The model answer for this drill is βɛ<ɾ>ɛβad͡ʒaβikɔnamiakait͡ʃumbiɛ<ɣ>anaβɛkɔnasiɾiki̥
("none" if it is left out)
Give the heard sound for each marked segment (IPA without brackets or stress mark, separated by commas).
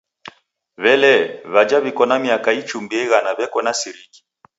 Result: l, ɣ